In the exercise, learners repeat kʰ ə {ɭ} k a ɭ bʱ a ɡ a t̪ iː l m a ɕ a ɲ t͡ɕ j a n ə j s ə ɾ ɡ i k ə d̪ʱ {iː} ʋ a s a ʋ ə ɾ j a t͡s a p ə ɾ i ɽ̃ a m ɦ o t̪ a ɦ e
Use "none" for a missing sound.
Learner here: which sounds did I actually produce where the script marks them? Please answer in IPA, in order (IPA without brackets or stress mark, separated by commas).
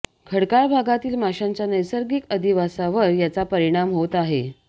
ɽ, i